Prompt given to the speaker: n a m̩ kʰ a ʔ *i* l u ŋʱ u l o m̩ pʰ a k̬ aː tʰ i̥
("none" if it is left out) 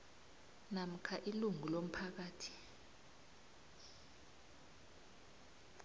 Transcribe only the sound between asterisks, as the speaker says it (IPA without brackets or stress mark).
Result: i